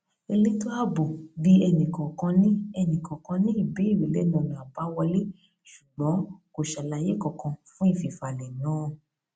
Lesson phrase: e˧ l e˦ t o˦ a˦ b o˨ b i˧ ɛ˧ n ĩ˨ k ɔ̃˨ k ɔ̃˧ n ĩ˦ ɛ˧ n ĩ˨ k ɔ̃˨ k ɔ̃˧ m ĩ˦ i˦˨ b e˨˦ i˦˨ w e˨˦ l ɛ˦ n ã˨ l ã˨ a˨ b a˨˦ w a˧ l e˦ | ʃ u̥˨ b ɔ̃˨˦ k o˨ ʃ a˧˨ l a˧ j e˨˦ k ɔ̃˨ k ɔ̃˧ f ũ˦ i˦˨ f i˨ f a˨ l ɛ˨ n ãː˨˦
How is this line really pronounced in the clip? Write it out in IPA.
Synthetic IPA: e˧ l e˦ t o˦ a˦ b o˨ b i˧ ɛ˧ n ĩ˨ k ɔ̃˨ k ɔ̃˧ n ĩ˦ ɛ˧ n ĩ˨ k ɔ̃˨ k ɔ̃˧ n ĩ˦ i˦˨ b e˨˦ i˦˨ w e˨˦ l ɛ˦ n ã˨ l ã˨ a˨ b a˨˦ w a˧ l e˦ | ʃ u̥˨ ɡ͡b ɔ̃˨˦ k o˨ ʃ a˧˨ l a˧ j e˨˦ k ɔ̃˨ k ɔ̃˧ f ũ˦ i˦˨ f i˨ f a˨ l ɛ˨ n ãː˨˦